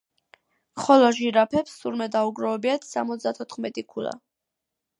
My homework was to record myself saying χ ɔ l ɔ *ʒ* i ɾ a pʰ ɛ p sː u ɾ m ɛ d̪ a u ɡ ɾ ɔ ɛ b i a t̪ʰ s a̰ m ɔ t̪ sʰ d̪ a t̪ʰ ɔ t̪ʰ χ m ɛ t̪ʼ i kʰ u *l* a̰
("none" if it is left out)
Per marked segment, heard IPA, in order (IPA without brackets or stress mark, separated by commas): ʒ, l